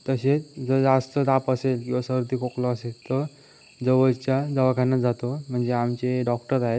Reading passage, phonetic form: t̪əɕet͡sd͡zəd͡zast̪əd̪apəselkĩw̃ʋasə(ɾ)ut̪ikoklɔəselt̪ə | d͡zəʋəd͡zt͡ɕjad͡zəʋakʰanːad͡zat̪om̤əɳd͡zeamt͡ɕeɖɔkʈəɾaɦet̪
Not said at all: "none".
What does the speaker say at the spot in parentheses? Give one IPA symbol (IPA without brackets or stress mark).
ɾ